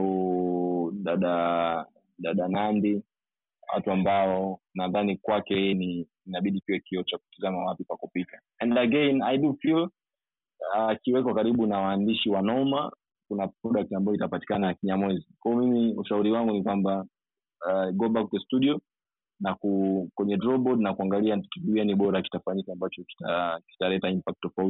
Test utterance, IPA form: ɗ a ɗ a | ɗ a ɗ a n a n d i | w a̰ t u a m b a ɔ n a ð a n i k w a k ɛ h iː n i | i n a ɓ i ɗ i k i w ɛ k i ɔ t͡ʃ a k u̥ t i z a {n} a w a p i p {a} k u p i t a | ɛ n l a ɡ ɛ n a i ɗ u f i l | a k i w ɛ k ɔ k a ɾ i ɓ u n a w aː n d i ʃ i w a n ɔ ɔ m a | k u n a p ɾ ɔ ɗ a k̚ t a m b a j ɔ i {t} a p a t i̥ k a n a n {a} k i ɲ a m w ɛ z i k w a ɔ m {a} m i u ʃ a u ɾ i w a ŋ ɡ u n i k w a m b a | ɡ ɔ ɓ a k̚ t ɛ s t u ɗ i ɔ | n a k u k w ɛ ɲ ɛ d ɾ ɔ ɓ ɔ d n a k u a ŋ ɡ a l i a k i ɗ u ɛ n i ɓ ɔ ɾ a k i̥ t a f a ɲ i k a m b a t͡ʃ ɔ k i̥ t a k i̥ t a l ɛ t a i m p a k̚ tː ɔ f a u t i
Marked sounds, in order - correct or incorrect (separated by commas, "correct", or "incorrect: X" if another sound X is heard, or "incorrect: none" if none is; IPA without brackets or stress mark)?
incorrect: m, correct, correct, correct, incorrect: i